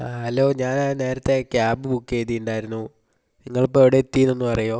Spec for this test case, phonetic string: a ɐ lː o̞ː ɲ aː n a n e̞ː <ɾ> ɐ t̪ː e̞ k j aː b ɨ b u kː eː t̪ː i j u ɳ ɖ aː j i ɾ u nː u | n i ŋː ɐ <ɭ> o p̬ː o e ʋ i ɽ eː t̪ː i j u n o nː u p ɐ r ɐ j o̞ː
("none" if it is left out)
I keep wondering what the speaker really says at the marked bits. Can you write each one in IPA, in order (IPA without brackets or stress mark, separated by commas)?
ɾ, ɭ